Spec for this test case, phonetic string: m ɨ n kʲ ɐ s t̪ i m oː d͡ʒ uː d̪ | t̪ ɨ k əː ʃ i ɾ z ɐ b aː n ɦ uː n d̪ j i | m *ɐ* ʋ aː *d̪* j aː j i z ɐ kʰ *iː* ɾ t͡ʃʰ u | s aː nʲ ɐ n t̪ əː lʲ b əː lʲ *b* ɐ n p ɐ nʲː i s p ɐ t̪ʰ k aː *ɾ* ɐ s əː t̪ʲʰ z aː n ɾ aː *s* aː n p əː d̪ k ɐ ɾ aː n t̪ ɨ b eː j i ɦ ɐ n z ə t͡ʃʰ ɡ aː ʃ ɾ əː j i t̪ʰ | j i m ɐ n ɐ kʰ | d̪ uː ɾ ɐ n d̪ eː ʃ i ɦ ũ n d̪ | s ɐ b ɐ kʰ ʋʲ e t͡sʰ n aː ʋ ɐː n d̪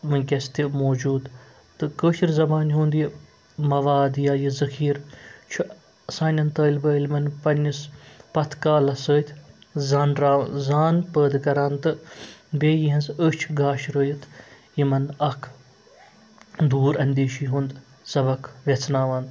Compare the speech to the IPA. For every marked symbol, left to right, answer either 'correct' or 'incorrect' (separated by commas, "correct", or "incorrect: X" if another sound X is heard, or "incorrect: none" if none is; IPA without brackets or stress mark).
correct, correct, correct, incorrect: m, incorrect: l, incorrect: z